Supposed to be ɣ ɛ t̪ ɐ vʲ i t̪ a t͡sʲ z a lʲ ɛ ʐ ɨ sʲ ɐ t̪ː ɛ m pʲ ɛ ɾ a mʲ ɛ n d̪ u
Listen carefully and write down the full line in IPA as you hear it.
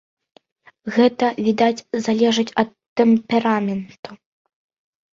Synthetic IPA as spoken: ɣ ɛ t̪ ɐ vʲ i d̪ a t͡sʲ z a lʲ ɛ ʐ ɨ t͡sʲ ɐ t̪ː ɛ m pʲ ɛ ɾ a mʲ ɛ n t̪ u